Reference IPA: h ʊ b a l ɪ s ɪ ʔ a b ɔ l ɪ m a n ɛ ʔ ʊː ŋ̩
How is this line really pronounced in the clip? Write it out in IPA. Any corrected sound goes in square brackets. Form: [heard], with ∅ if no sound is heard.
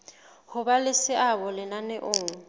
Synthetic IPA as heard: h ʊ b a l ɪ s ɪ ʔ a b ɔ l ɪ [n] a n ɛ ʔ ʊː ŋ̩